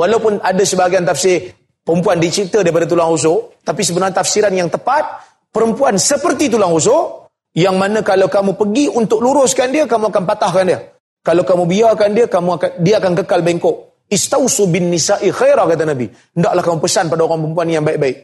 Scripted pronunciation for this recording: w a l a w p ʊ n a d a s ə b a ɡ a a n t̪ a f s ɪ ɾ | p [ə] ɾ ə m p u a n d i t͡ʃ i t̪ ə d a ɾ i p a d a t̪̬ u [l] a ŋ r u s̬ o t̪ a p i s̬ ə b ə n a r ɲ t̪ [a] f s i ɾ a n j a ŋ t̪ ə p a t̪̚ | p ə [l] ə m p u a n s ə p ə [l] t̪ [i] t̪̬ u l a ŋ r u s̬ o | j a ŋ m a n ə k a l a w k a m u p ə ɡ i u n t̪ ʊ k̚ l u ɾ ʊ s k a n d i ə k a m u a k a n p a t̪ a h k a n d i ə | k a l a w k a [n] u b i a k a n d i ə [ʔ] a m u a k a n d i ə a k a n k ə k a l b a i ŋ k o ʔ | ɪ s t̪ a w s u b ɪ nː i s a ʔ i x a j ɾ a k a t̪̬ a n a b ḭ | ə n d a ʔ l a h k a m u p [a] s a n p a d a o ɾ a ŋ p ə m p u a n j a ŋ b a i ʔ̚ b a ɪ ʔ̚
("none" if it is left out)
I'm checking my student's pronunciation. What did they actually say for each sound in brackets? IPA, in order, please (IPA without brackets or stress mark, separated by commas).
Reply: ə, l, a, ɾ, r, i, m, k, ə